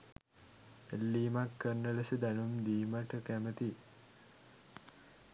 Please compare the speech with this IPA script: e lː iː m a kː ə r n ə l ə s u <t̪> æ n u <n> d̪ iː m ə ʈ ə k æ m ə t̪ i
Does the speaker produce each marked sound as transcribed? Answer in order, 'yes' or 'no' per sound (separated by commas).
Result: no, no